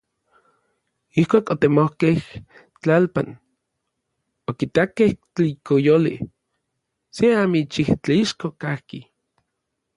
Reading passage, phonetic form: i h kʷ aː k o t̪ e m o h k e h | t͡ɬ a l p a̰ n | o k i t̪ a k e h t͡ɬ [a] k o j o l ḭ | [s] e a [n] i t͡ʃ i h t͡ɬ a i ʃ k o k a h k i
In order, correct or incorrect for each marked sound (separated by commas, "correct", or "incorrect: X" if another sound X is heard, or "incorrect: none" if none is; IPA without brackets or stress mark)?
incorrect: i, correct, incorrect: m